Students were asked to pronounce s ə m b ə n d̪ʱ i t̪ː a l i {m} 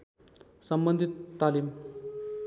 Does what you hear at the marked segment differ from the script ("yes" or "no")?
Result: no